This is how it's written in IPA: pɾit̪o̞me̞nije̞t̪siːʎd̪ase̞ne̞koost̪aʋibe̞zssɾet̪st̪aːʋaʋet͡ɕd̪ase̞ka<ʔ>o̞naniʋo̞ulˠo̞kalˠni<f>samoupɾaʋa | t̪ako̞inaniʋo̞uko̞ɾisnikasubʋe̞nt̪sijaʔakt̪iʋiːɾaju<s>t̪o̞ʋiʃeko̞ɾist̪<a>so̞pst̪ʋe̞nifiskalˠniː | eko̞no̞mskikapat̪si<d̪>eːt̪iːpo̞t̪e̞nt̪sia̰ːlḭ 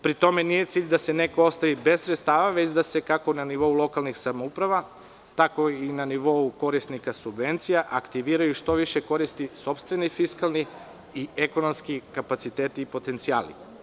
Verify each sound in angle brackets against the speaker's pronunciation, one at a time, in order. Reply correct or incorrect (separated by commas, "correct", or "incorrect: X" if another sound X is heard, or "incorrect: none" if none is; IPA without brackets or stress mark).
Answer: incorrect: k, incorrect: x, incorrect: ʃ, incorrect: i, incorrect: t̪